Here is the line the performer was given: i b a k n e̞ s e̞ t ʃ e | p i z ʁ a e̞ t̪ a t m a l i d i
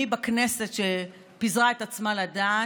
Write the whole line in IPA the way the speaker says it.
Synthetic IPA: i b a k n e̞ s e̞ t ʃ e | p i z ʁ a e̞ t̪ a t͡s m a l a d a